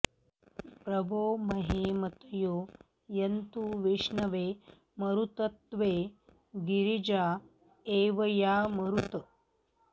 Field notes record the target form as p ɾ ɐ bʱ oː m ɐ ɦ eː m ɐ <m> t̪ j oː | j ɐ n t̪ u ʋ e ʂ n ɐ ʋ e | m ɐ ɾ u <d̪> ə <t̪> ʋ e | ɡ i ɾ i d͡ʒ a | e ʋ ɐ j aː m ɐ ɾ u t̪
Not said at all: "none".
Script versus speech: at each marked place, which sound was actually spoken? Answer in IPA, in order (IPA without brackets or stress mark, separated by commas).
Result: none, t̪, t̪